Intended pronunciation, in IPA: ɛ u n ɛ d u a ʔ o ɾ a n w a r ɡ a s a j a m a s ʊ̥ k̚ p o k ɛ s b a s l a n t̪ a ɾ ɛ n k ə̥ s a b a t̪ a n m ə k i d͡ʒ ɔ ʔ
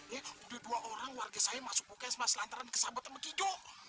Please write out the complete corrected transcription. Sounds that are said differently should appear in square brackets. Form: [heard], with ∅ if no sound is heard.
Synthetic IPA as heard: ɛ u [d] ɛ d u a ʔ o ɾ a [ŋ] w a r ɡ a s a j a m a s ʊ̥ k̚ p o k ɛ s [m] a s l a n t̪ a ɾ [a] n k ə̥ s a b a t̪ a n m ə k i d͡ʒ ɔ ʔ